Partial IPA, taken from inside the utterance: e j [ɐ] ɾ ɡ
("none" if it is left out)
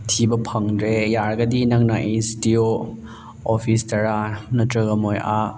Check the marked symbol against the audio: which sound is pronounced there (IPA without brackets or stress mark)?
a